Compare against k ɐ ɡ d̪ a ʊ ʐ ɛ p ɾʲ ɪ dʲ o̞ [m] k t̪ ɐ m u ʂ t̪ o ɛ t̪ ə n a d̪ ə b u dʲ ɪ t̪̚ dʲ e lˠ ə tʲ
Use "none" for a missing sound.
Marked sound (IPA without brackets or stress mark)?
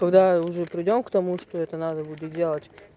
m